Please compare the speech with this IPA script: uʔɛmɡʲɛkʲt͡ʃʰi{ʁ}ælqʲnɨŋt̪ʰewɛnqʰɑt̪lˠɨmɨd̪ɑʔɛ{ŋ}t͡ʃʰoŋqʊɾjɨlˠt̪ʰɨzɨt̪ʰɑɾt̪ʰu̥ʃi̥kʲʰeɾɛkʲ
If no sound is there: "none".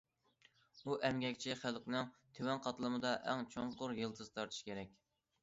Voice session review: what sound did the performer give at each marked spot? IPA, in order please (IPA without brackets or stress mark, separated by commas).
χ, ŋ